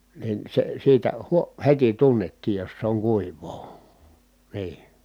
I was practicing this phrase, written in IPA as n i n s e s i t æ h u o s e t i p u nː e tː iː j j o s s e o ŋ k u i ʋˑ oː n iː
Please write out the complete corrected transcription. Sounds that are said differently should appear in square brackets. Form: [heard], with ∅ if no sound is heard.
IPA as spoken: n i n s e s [iː] t æ h u o [h] e t i [t] u nː e tː iː j j o s s e o ŋ k u i ʋˑ oː n iː